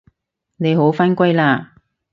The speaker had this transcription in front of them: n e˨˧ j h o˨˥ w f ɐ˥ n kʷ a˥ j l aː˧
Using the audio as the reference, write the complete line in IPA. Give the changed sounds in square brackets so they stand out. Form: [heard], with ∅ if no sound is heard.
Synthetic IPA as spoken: n e˨˧ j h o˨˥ w f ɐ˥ n kʷ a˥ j l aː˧